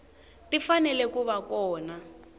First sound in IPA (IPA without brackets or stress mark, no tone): t